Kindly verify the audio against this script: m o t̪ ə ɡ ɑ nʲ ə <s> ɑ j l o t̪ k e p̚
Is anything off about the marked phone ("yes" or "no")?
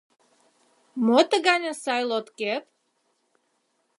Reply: no